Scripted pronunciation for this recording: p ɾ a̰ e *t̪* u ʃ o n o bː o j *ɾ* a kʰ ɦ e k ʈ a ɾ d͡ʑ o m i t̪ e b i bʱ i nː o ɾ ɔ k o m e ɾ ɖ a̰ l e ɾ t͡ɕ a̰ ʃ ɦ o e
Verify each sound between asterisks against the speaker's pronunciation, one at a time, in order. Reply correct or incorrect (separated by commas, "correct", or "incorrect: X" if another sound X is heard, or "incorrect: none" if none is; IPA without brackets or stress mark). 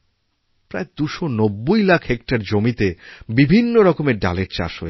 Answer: incorrect: d̪, incorrect: l